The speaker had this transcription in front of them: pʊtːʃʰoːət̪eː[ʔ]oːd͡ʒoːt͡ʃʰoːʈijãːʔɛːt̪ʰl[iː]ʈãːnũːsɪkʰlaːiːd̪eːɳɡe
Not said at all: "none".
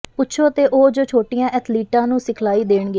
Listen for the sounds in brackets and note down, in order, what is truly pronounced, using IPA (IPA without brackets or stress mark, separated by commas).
ʔ, iː